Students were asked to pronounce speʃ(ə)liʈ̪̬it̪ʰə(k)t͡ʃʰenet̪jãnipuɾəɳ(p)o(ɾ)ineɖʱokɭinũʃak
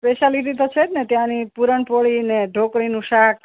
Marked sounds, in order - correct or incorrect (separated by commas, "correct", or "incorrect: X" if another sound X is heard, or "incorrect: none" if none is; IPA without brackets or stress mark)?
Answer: incorrect: a, incorrect: none, correct, incorrect: ɭ